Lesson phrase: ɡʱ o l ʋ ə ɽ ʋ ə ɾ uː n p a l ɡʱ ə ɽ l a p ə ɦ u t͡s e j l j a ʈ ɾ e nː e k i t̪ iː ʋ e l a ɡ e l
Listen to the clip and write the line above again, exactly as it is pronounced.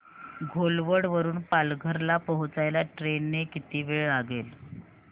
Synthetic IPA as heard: ɡʱ o l ʋ ə ɽ ʋ ə ɾ uː n p a l ɡʱ ə ɾ l a p ə ɦ u t͡s a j l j a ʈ ɾ e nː e k i t̪ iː ʋ e ɭ a ɡ e l